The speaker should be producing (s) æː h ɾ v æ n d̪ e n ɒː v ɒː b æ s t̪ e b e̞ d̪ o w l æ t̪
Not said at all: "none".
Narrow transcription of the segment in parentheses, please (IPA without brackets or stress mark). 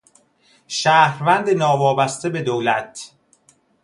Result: ʃ